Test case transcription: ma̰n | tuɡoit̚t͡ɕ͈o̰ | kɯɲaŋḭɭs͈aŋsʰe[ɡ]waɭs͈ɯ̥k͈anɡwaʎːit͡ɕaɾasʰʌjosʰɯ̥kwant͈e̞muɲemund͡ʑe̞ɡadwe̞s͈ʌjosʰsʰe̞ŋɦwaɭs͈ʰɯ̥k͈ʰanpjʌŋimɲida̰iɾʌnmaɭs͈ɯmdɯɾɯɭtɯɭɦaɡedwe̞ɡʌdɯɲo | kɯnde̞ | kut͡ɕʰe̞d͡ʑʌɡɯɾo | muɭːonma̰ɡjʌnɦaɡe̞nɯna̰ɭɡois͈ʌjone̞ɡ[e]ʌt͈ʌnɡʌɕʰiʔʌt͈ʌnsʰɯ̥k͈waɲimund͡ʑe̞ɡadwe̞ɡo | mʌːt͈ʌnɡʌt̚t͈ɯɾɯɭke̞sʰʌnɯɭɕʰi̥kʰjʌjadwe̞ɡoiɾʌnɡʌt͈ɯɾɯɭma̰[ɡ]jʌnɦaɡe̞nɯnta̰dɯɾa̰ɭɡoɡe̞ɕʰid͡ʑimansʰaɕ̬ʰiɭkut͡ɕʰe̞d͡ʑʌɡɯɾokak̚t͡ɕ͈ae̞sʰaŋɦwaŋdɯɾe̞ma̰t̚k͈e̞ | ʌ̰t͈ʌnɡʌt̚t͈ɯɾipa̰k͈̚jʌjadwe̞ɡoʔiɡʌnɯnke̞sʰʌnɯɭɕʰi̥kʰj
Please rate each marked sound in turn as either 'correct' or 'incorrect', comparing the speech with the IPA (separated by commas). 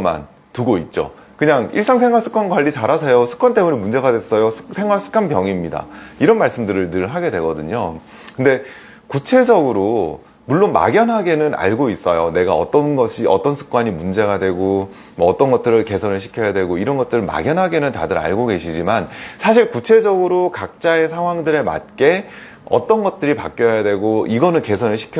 incorrect, incorrect, correct